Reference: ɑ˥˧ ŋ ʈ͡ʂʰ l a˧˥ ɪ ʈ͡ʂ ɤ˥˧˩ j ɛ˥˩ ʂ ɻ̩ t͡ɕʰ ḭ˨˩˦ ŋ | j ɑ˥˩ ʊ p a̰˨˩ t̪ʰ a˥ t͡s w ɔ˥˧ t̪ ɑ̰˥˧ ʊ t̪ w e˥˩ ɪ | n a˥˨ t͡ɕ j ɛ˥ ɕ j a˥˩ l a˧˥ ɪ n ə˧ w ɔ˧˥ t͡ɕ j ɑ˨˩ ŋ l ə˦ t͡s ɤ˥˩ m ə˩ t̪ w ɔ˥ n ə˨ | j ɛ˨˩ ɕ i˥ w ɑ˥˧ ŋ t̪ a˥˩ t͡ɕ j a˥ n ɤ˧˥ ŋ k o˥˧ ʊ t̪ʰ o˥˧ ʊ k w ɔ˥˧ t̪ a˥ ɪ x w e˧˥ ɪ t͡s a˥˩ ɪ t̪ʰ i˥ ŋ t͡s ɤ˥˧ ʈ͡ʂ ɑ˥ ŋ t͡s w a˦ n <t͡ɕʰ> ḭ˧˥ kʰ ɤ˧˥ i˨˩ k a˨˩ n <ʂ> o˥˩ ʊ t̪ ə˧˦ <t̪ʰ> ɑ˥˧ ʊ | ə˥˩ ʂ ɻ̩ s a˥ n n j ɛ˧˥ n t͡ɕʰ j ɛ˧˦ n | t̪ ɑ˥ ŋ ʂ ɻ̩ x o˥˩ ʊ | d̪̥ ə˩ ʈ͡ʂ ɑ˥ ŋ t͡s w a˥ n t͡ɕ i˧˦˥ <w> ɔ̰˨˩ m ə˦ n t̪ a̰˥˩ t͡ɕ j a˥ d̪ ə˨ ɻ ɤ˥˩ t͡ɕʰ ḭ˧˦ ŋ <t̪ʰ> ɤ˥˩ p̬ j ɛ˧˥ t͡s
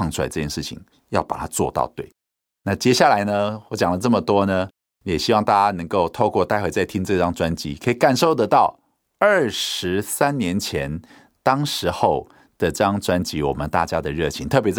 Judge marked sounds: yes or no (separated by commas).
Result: no, yes, no, yes, yes